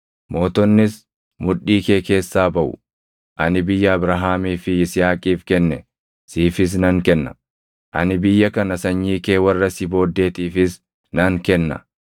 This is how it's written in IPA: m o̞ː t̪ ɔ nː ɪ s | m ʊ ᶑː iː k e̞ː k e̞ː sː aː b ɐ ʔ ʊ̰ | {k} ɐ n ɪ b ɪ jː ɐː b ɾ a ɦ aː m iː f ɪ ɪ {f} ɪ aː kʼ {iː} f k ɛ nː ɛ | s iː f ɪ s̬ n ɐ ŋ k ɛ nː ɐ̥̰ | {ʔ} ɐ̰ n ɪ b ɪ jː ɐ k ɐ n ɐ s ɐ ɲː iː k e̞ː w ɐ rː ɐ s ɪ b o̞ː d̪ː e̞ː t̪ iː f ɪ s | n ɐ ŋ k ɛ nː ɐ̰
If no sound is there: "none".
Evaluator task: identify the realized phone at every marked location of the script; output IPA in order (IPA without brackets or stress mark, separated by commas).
ʔ, s, iː, ʔ